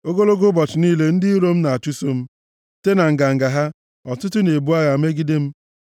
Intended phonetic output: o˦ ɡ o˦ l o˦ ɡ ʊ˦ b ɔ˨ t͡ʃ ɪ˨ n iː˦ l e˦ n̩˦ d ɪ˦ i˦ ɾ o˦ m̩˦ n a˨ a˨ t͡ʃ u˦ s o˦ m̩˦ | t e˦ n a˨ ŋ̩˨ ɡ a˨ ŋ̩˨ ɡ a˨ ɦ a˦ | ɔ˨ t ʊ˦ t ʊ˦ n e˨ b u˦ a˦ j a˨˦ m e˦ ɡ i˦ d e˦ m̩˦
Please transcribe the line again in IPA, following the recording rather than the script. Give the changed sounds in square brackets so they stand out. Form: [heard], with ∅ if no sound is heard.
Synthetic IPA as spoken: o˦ ɡ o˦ l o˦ ɡ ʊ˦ b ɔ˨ t͡ʃ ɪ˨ n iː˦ l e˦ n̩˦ d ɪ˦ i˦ ɾ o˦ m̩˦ n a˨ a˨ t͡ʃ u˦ s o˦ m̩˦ | t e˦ n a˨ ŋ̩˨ ɡ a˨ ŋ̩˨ ɡ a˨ ɦ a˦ | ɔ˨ t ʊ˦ t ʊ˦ n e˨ b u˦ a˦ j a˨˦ m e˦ ɡ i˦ d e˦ m̩˦